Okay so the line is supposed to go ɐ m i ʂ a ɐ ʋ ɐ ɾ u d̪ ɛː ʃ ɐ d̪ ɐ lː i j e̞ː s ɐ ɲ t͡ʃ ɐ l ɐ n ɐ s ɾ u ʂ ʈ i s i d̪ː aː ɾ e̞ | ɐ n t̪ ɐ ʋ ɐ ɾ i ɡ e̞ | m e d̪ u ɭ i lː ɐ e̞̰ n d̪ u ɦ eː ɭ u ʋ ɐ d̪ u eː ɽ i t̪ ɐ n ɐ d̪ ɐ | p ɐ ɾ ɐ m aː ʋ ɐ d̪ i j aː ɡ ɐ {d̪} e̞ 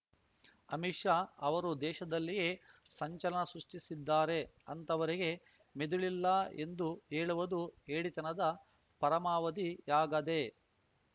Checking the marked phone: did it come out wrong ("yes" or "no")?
no